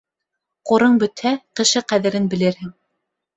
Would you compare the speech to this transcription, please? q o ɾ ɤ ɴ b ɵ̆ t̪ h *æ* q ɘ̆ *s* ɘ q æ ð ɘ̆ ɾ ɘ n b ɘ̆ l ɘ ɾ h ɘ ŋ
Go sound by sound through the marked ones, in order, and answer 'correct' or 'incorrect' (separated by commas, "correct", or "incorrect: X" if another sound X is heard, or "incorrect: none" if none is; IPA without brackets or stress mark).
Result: correct, incorrect: ʃ